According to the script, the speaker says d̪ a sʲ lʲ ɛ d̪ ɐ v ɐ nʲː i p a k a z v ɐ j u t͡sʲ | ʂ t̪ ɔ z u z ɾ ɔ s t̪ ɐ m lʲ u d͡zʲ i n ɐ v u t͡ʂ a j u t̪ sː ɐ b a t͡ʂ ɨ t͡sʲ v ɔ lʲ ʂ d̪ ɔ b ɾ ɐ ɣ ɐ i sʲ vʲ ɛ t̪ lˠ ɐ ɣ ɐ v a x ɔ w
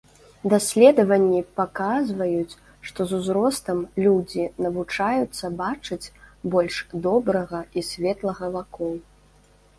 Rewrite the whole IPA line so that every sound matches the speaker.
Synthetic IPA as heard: d̪ a sʲ lʲ ɛ d̪ ɐ v ɐ nʲː i p a k a z v ɐ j u t͡sʲ | ʂ t̪ ɔ z u z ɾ ɔ s t̪ ɐ m lʲ u d͡zʲ i n ɐ v u t͡ʂ a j u t̪ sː ɐ b a t͡ʂ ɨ t͡sʲ b ɔ lʲ ʂ d̪ ɔ b ɾ ɐ ɣ ɐ i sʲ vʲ ɛ t̪ lˠ ɐ ɣ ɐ v a k ɔ w